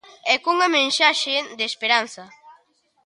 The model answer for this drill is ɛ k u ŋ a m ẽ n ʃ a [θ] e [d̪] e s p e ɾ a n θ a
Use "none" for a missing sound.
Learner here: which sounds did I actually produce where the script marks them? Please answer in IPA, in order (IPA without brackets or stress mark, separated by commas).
ʃ, d̪